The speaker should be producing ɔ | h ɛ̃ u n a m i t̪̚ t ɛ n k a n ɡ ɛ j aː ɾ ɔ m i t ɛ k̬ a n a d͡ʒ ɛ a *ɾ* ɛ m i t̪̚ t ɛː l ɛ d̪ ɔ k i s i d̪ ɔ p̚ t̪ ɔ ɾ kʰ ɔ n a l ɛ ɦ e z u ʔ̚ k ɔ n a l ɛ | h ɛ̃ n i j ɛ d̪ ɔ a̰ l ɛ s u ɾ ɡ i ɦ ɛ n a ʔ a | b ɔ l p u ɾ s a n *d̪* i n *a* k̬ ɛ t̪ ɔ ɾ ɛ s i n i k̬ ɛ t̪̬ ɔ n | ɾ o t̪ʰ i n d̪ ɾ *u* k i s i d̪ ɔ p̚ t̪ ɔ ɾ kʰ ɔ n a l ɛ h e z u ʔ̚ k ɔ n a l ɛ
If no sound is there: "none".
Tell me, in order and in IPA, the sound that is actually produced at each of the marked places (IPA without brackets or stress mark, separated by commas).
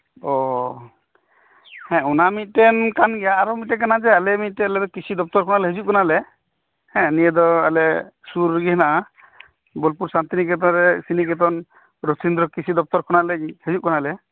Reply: l, t̪, i, ɔ